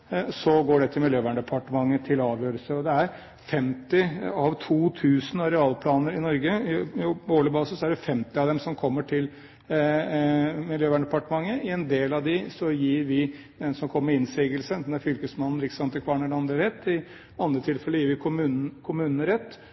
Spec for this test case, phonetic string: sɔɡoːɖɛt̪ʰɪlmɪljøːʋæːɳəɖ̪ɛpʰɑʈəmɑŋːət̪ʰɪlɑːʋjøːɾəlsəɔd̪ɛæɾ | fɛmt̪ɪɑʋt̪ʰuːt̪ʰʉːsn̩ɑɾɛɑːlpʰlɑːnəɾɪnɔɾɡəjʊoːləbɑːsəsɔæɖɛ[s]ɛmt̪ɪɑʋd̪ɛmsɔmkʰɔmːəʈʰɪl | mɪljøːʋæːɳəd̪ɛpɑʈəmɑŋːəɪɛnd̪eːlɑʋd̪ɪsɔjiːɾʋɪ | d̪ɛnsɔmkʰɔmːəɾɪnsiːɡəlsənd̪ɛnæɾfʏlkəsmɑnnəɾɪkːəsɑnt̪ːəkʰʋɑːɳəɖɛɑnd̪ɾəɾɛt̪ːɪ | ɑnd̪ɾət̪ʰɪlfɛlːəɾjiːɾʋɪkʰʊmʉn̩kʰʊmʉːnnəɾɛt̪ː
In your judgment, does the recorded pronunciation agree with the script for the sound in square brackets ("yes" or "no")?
no